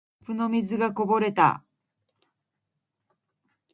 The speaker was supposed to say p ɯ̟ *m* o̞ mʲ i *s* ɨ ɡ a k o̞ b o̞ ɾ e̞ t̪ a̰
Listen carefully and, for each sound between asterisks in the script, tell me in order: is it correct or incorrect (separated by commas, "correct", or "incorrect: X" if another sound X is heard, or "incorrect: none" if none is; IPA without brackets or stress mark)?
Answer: incorrect: n, incorrect: z